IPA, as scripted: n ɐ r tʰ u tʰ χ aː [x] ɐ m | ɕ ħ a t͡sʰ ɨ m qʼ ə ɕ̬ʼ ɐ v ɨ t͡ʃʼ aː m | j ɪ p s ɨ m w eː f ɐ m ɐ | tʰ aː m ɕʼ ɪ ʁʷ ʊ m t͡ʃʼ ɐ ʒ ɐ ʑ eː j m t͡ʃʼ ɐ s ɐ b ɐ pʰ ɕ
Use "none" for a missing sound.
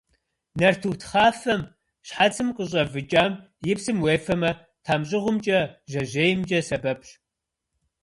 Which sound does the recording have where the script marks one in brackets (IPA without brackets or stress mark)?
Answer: f